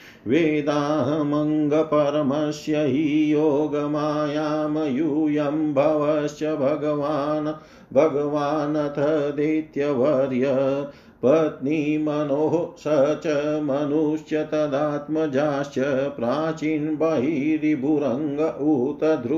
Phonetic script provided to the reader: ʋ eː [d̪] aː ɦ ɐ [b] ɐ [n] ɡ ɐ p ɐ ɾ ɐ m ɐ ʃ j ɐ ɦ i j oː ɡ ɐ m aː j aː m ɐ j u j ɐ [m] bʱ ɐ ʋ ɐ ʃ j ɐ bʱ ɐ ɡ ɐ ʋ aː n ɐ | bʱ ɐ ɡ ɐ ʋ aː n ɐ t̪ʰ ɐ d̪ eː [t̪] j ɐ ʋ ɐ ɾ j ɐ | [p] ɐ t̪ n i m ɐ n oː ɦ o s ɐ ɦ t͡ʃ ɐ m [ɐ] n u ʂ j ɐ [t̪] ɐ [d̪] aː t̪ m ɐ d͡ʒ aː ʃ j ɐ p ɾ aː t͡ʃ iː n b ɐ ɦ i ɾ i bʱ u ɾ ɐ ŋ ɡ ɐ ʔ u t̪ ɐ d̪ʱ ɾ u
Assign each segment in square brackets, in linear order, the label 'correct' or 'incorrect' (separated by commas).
correct, incorrect, incorrect, correct, correct, correct, correct, correct, correct